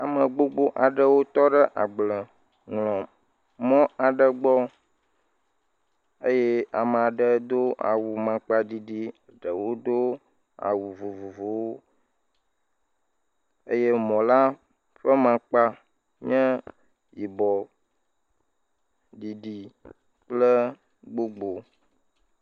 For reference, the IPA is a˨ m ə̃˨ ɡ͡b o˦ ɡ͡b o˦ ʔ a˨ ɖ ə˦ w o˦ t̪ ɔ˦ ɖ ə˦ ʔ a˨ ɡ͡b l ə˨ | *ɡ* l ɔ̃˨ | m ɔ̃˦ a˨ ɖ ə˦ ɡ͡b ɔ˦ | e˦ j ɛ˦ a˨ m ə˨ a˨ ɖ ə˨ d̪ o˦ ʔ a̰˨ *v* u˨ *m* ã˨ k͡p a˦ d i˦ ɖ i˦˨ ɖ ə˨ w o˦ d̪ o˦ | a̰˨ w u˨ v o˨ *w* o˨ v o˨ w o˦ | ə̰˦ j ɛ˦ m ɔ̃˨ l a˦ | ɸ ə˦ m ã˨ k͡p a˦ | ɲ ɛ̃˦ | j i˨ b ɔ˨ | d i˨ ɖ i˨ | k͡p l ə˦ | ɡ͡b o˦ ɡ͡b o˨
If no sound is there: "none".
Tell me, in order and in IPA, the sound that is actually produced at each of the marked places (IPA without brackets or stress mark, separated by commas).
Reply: ŋ, w, m, v